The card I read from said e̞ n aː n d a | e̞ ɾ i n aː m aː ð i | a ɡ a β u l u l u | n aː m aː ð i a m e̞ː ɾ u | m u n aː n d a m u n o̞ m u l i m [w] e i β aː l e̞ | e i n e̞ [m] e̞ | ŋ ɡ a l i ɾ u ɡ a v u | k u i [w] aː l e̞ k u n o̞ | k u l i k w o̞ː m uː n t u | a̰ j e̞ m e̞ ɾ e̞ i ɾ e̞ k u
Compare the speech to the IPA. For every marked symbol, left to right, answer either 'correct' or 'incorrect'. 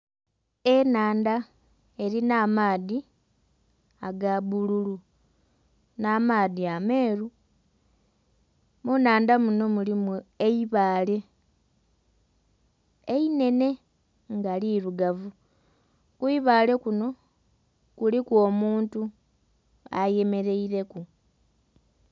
incorrect, incorrect, incorrect

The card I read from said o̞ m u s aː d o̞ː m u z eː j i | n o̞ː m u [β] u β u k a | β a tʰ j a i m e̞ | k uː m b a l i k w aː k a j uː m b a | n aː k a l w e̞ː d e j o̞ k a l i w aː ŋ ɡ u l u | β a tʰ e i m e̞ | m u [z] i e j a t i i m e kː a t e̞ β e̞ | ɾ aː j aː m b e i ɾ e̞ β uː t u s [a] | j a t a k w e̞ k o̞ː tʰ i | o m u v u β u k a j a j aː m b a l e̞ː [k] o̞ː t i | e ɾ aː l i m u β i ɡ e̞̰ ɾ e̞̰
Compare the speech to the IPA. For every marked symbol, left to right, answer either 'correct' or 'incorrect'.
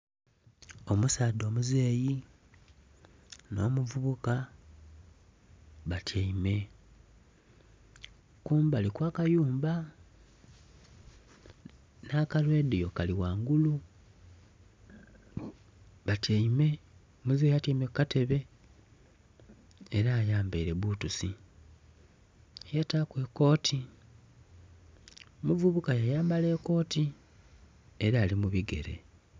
incorrect, correct, incorrect, correct

